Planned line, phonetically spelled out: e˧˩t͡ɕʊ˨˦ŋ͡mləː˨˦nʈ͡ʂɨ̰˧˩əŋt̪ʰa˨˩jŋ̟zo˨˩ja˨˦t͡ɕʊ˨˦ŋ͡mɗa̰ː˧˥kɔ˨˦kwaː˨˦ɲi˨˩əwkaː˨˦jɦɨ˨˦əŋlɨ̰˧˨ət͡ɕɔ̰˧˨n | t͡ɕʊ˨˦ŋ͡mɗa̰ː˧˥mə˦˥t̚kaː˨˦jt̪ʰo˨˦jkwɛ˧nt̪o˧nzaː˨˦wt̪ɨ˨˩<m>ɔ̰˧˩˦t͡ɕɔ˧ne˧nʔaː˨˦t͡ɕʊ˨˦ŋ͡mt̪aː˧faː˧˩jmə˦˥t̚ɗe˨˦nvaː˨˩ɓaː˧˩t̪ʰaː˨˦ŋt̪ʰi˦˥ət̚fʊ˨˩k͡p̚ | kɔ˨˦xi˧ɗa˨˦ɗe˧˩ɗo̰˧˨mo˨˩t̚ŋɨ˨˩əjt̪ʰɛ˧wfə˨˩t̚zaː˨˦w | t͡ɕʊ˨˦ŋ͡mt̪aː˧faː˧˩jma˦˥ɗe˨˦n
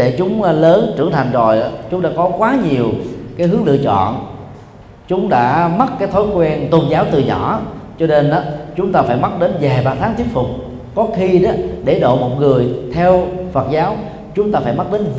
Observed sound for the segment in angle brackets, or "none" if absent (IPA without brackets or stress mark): ɲ